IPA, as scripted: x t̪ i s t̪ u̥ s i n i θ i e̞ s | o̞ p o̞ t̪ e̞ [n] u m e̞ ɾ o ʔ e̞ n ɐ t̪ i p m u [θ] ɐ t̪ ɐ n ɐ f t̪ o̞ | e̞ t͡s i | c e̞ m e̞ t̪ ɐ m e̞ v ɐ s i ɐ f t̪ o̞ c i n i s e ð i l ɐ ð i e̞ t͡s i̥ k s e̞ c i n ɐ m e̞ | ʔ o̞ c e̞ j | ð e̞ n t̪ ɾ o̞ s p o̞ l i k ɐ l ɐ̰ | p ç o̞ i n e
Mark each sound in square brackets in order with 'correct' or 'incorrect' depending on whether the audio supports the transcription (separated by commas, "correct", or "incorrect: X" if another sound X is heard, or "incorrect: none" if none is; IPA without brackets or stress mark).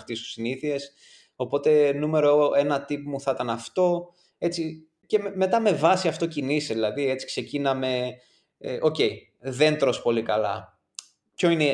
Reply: correct, correct